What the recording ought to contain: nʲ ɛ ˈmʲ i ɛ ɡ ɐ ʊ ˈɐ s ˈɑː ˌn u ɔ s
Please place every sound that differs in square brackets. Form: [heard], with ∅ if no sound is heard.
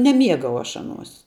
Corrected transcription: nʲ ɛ ˈmʲ i ɛ ɡ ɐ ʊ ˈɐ [ʃ] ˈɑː ˌn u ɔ s